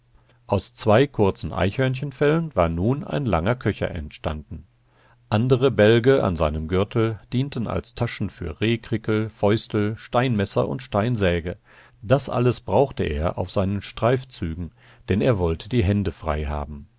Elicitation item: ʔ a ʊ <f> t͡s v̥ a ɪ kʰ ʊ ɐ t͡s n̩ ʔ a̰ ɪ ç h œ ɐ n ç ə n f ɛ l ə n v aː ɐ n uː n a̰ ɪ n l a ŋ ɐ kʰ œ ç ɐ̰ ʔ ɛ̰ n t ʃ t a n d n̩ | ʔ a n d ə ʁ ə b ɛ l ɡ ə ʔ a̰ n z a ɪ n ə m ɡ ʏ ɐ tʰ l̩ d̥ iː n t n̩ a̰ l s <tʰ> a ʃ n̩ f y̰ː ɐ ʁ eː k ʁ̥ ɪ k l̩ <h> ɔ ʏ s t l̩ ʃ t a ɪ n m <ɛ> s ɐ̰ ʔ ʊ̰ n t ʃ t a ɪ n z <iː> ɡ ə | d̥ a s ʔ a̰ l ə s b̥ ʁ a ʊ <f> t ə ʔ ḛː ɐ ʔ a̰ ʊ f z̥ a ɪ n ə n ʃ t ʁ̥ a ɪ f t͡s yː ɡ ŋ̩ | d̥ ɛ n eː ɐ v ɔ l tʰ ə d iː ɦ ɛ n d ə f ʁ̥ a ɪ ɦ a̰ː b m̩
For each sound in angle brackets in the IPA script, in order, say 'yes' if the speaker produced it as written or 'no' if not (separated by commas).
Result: no, yes, no, yes, no, no